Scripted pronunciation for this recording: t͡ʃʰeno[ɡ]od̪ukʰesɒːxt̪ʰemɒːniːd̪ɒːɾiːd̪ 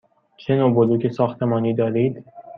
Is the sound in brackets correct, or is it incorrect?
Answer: incorrect